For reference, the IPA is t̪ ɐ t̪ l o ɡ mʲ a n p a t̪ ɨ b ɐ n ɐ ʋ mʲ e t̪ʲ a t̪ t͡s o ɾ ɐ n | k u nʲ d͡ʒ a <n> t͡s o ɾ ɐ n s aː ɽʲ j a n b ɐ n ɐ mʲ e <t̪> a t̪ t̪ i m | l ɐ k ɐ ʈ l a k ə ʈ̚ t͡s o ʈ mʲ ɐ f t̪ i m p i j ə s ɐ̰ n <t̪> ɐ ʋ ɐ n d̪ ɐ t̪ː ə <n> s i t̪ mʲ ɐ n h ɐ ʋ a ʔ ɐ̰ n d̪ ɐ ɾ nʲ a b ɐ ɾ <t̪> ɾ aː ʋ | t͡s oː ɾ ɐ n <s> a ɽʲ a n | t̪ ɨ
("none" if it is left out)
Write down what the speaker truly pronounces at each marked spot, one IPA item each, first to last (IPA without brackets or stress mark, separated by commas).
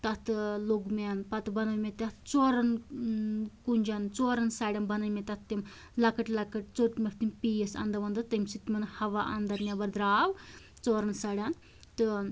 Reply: n, t̪, d̪, m, d̪, s